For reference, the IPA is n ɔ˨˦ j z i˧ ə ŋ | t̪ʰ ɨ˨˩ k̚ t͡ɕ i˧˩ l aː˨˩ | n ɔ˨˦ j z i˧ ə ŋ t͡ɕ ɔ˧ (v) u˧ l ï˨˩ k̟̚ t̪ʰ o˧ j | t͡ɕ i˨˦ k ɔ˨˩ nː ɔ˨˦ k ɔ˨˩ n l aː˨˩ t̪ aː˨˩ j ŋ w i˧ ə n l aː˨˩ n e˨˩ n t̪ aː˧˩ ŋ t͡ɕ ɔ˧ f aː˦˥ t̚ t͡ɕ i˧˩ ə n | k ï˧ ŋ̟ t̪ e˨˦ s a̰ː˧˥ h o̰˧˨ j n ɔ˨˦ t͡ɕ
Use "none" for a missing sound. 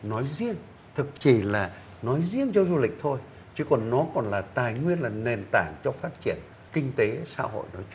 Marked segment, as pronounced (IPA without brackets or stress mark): z